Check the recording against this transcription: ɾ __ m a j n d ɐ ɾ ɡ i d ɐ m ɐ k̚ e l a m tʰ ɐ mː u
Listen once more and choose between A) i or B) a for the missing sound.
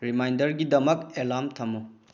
A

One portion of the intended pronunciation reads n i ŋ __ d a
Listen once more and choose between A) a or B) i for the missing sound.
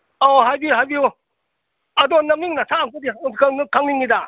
B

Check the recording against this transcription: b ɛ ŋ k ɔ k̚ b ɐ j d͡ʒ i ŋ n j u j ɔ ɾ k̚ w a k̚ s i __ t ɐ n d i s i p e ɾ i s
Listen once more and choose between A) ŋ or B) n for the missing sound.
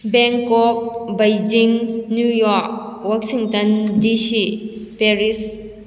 A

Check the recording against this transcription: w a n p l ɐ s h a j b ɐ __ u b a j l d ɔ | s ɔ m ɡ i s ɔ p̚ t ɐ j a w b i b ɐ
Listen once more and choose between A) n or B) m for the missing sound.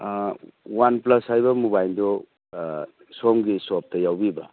B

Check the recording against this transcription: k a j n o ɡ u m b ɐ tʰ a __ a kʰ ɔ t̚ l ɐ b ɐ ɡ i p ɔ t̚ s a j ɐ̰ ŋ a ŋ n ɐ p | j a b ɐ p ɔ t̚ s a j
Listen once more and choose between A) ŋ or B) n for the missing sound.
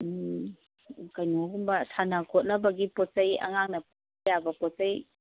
B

